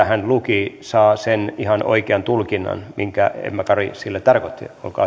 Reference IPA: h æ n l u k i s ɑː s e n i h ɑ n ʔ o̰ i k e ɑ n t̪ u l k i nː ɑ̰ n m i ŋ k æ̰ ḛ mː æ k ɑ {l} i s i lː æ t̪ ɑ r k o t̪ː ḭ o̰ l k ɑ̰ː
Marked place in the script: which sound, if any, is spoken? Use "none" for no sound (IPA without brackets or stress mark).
r